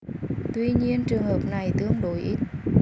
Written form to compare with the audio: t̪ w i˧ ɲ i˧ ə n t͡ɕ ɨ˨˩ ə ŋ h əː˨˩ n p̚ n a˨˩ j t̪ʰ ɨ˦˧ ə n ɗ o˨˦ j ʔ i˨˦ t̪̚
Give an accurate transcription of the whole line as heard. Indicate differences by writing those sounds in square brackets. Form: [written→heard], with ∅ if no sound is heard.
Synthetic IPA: t̪ w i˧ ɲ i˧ ə n t͡ɕ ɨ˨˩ ə ŋ h əː˨˩ [n→∅] p̚ n a˨˩ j [t̪ʰ→t̪] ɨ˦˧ ə [n→ŋ] ɗ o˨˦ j ʔ [i˨˦→i˦˥] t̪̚